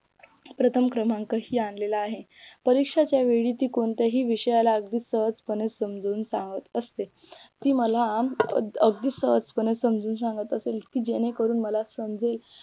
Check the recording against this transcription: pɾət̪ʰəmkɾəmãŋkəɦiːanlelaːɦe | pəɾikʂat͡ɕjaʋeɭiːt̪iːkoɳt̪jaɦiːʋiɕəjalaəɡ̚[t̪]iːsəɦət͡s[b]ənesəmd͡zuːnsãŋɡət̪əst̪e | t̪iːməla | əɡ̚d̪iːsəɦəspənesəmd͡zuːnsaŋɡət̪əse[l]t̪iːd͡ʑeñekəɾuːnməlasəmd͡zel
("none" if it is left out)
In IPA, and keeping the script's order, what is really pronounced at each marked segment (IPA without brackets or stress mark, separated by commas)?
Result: d̪, p, l